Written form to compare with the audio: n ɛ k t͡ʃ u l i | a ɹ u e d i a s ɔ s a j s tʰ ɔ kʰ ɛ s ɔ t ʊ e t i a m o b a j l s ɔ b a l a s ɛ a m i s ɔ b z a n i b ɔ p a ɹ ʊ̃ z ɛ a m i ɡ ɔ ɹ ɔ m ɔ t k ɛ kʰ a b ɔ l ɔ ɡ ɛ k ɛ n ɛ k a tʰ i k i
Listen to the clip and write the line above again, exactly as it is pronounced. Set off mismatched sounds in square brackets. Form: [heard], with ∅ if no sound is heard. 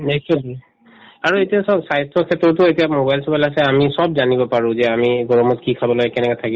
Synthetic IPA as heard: n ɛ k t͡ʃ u l i | a ɹ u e [t] i a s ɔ s a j s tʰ ɔ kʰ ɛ [t] ɔ t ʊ e t i a m o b a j l s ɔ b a l a s ɛ a m i s ɔ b z a n i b ɔ p a ɹ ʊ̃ z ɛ a m i ɡ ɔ ɹ ɔ m ɔ t k [i] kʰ a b ɔ l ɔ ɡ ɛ k ɛ n ɛ k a tʰ [a] k i